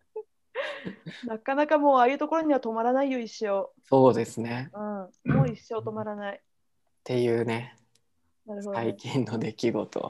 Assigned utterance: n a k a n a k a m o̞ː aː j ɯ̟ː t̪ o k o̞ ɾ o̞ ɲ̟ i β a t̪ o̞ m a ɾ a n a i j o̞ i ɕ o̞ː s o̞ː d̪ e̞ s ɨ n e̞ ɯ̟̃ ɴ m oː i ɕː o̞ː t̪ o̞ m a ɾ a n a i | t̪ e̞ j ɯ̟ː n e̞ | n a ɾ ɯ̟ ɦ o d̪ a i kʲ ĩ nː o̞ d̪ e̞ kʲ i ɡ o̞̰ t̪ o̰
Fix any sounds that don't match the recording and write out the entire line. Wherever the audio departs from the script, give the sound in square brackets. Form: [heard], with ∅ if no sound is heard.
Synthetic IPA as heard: n a k a n a k a m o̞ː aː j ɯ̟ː t̪ o k o̞ ɾ o̞ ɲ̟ i β a t̪ o̞ m a ɾ a n a i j o̞ i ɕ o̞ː s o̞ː d̪ e̞ s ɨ n e̞ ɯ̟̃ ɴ m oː i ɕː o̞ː t̪ o̞ m a ɾ a n a i | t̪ e̞ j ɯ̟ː n e̞ | n a ɾ ɯ̟ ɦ o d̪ a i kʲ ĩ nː o̞ d̪ e̞ kʲ i ɡ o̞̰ t̪ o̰